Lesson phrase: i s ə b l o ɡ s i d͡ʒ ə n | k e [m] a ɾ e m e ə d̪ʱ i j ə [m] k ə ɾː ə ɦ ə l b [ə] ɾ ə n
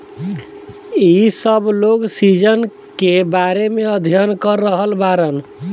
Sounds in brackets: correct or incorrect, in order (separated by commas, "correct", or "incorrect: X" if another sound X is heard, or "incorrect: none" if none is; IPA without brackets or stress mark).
incorrect: b, incorrect: n, incorrect: a